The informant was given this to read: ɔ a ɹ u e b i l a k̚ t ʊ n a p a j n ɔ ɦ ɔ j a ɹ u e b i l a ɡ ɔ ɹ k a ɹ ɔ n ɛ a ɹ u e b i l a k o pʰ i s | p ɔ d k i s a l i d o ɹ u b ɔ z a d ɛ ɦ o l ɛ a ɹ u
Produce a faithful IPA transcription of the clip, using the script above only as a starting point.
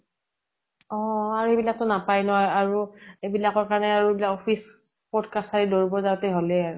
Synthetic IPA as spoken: ɔ a ɹ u e b i l a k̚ t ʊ n a p a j n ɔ ɦ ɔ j a ɹ u e b i l a k ɔ ɹ k a ɹ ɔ n ɛ a ɹ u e b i l a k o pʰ i s | p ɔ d k a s a ɹ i d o ɹ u b ɔ z a t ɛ ɦ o l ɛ a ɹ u